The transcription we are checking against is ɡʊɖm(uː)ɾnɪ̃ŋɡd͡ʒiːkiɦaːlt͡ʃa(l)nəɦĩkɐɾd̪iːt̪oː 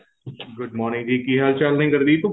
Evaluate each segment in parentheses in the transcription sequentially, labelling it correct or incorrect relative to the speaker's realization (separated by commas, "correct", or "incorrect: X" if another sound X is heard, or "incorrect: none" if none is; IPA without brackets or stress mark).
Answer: incorrect: ɔː, correct